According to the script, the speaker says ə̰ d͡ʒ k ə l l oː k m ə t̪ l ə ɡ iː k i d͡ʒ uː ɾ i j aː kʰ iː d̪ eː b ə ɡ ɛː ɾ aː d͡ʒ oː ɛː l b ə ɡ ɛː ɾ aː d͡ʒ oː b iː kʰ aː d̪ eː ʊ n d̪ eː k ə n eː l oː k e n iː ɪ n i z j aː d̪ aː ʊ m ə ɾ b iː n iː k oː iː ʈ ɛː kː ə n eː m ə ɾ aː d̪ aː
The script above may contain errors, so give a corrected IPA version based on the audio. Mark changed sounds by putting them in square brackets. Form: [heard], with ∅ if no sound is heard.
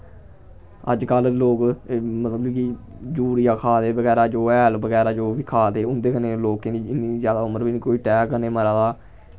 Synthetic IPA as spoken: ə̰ d͡ʒ k ə l l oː k m ə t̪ l ə [b] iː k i d͡ʒ uː ɾ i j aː kʰ [aː] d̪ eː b ə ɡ ɛː ɾ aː d͡ʒ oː ɛː l b ə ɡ ɛː ɾ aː d͡ʒ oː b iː kʰ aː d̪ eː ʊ n d̪ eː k ə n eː l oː k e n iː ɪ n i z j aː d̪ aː ʊ m ə ɾ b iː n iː k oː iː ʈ ɛː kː ə n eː m ə ɾ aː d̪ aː